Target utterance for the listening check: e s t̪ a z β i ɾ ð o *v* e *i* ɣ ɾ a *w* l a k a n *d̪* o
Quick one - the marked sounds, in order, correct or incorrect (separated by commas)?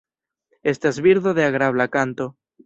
incorrect, incorrect, incorrect, incorrect